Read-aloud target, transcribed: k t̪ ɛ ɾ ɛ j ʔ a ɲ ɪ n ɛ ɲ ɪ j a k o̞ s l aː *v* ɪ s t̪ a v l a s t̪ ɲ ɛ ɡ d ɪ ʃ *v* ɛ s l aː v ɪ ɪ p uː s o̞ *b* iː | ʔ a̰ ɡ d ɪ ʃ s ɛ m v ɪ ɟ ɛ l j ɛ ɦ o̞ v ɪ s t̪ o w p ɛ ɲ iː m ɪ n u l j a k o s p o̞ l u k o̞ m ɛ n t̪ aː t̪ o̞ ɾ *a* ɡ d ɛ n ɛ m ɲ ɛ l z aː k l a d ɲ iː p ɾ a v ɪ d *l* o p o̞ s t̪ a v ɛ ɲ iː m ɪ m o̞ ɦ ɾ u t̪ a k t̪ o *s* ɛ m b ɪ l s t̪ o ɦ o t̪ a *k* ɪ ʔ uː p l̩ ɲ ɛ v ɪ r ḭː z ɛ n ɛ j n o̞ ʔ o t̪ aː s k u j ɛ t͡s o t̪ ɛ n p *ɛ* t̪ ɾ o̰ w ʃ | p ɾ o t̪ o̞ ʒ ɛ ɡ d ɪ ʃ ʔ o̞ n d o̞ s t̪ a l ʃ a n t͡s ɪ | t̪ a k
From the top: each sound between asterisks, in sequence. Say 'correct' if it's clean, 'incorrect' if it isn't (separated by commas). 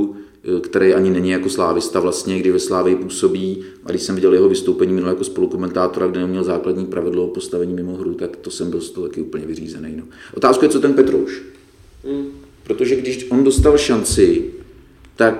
correct, correct, correct, correct, correct, correct, correct, correct